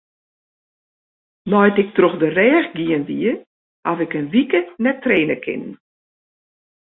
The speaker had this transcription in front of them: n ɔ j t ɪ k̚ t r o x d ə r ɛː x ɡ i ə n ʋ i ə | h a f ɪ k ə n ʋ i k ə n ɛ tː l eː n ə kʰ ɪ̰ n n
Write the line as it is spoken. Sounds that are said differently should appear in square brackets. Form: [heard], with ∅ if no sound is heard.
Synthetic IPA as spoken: n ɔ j t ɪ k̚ t r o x d ə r ɛː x ɡ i ə n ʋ i ə | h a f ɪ k ə n ʋ i k ə n ɛ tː [r] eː n ə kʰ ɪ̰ n n

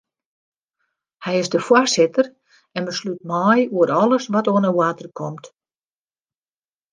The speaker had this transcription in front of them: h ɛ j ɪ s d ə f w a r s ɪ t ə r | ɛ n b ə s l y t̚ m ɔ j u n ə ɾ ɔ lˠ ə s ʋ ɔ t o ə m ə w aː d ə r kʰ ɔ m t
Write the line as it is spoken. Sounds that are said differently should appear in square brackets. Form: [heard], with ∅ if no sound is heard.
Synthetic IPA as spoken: h ɛ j ɪ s d ə f w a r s ɪ t ə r | ɛ n b ə s l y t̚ m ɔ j u [∅] ə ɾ ɔ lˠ ə s ʋ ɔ t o ə [n] ə w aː [t] ə r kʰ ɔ m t

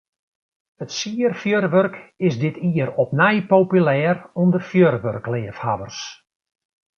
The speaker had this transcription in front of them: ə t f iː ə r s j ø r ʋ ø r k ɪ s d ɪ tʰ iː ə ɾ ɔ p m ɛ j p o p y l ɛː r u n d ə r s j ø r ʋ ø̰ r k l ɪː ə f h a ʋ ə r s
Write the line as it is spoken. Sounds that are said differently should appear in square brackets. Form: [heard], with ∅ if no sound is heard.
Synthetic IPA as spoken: ə t [s] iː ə r [f] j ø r ʋ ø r k ɪ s d ɪ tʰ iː ə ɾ ɔ p [n] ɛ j p o p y l ɛː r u n d ə r [f] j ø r ʋ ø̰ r k l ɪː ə f h a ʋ ə r s

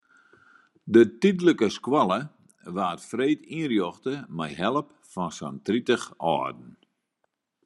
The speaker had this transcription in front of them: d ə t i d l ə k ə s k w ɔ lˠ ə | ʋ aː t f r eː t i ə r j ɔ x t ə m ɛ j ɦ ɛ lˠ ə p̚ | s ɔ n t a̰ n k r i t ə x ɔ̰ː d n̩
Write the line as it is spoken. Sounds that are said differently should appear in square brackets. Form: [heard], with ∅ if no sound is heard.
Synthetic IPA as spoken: d ə t i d l ə k ə s k w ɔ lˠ ə | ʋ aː t f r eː t i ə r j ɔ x t ə m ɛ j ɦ ɛ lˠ ə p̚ | [f] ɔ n [s] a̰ n [t] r i t ə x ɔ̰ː d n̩

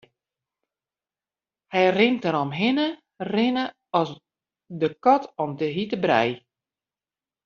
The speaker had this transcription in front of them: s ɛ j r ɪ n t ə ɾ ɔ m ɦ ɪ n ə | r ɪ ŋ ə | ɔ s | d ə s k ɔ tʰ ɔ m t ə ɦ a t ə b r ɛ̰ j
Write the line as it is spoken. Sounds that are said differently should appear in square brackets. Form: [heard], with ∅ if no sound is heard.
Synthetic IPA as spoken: [h] ɛ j r ɪ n t ə ɾ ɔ m ɦ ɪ n ə | r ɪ [n] ə | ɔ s | d ə [∅] k ɔ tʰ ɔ m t ə ɦ [i] t ə b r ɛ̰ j

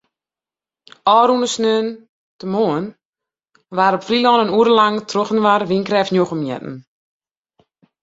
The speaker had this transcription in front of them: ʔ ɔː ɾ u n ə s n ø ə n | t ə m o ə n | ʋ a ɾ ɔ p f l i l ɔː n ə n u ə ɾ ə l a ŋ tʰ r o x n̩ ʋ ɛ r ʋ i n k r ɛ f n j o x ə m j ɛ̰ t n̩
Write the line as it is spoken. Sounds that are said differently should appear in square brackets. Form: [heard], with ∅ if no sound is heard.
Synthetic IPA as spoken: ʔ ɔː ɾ u n ə s n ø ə n | t ə m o ə n | ʋ a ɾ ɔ p f [r] i l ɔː n ə n u ə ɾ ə l a ŋ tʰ r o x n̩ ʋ [a] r ʋ i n k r ɛ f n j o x ə m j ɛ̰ t n̩

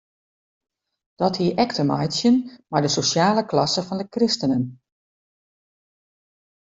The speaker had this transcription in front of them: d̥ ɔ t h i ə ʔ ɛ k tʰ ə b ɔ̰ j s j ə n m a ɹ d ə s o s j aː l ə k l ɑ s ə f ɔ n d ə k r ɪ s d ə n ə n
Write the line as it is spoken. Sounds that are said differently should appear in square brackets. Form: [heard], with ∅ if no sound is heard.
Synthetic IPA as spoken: d̥ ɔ t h i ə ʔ ɛ k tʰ ə [m] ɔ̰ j s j ə n m a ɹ d ə s o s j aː l ə k l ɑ s ə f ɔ n d ə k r ɪ s [t] ə n ə n

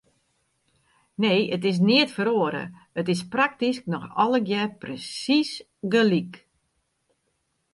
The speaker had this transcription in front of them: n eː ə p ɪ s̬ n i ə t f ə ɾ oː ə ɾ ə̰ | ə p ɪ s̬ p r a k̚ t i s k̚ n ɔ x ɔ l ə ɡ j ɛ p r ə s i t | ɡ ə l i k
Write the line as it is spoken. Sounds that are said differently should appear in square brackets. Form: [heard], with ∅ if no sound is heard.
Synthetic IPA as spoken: n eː ə [t] ɪ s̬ n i ə t f ə ɾ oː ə ɾ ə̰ | ə [t] ɪ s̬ p r a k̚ t i s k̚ n ɔ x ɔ l ə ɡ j ɛ p r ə s i [s] | ɡ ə l i k

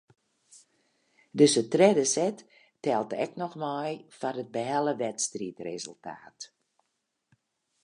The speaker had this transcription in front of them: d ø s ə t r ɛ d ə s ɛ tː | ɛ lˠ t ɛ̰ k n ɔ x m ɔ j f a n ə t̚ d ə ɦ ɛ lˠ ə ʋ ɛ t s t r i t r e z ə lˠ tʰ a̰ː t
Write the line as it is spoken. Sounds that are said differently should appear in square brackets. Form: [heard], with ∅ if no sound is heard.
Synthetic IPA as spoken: d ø s ə t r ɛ d ə s ɛ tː | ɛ lˠ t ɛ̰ k n ɔ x m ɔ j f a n ə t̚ [b] ə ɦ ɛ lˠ ə ʋ ɛ t s t r i t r e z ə lˠ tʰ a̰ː t

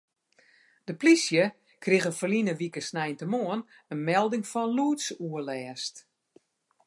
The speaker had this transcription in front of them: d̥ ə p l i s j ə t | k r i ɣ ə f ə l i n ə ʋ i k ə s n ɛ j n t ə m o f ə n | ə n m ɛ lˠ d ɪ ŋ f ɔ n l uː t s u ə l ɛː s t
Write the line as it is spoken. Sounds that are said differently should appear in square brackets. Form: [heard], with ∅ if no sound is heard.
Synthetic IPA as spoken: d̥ ə p l i s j ə [∅] | k r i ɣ ə f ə l i n ə ʋ i k ə s n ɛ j n t ə m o [∅] ə n | ə n m ɛ lˠ d ɪ ŋ f ɔ n l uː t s u ə l ɛː s t

